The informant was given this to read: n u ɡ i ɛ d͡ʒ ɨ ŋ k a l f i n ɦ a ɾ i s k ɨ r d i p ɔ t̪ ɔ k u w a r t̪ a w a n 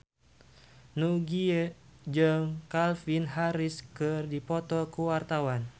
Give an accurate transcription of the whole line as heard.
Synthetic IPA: n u ɡ i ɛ d͡ʒ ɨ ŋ k a l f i n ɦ a ɾ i s k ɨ r d i p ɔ t̪ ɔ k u w a r t̪ a w a n

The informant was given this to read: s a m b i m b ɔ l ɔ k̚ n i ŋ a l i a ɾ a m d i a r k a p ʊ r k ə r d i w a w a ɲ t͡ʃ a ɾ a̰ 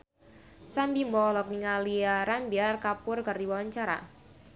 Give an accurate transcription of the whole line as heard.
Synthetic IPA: s a m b i m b ɔ l ɔ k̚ n i ŋ a l i a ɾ a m b i a r k a p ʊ r k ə r d i w a w a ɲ t͡ʃ a ɾ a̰

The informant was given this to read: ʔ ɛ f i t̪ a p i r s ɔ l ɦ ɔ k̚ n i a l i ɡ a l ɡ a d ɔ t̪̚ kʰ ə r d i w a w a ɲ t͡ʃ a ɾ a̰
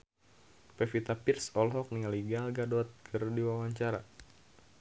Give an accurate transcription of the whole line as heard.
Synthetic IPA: p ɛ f i t̪ a p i r s ɔ l ɦ ɔ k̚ n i a l i ɡ a l ɡ a d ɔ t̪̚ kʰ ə r d i w a w a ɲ t͡ʃ a ɾ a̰

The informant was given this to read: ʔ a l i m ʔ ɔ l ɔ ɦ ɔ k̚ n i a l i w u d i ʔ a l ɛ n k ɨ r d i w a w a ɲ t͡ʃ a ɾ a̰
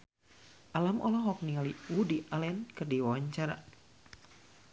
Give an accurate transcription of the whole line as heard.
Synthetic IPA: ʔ a l a m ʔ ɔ l ɔ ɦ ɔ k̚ n i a l i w u d i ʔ a l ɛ n k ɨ r d i w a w a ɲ t͡ʃ a ɾ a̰

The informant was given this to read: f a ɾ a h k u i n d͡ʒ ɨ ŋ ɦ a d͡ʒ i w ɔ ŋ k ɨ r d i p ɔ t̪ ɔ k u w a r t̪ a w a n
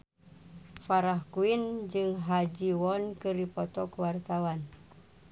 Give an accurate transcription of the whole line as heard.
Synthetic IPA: f a ɾ a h k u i n d͡ʒ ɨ ŋ ɦ a d͡ʒ i w ɔ n k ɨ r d i p ɔ t̪ ɔ k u w a r t̪ a w a n

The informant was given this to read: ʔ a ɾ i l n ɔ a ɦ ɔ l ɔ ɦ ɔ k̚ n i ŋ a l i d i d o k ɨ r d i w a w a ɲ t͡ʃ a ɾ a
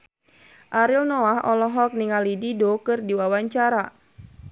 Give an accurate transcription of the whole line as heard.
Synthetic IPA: ʔ a ɾ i l n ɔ a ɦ ɔ l ɔ ɦ ɔ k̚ n i ŋ a l i d i d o k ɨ r d i w a w a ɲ t͡ʃ a ɾ a

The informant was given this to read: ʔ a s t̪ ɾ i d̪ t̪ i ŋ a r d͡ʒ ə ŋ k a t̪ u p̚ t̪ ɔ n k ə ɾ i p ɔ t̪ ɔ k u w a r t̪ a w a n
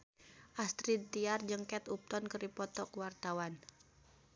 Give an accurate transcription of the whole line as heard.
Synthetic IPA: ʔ a s t̪ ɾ i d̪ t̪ i a r d͡ʒ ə ŋ k ɛ t̪ u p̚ t̪ ɔ n k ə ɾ i p ɔ t̪ ɔ k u w a r t̪ a w a n

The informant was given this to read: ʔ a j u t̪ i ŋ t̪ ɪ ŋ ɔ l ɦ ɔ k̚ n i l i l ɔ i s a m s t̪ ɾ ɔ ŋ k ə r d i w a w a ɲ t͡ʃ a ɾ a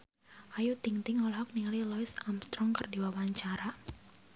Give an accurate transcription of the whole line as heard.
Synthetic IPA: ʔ a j u t̪ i ŋ t̪ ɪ ŋ ɔ l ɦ ɔ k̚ n i l i l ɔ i s a m s t̪ ɾ ɔ ŋ k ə r d i w a w a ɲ t͡ʃ a ɾ a

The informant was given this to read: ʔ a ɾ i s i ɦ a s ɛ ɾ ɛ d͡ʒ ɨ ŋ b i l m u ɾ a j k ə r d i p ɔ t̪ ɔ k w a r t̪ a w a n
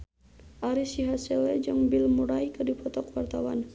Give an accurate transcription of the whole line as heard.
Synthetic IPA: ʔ a ɾ i s i ɦ a s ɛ l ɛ d͡ʒ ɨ ŋ b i l m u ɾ a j k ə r d i p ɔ t̪ ɔ k w a r t̪ a w a n

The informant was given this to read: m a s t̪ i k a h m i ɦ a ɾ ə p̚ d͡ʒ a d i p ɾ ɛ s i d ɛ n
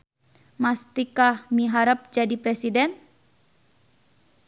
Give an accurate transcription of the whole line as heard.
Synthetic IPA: m a s t̪ i k a h m i ɦ a ɾ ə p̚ d͡ʒ a d i p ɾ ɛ s i d ɛ n

